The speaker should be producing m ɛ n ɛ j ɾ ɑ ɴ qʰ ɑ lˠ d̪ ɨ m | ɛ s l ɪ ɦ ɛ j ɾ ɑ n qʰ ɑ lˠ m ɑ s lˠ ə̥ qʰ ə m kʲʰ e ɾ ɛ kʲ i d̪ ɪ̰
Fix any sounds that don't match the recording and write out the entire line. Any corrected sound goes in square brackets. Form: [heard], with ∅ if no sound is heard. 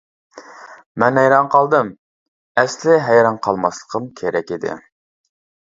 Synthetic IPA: m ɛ n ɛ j ɾ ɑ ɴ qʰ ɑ lˠ d̪ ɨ m | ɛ s l ɪ ɦ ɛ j ɾ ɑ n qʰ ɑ lˠ m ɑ s lˠ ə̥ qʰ ə m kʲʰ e ɾ ɛ kʲ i d̪ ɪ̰